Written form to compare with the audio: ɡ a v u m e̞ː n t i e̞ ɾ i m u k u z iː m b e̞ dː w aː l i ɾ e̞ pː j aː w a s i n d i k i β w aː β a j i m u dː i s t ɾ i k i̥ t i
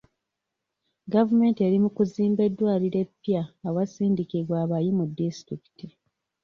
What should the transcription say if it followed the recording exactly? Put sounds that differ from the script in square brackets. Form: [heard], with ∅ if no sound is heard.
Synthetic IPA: ɡ a v u m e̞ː n t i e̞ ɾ i m u k u z iː m b e̞ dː w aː l i ɾ e̞ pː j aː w a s [iː] n d i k i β w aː β a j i m u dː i s t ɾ i k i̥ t i